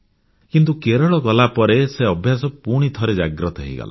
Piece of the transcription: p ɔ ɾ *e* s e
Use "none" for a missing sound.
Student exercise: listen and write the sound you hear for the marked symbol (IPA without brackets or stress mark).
e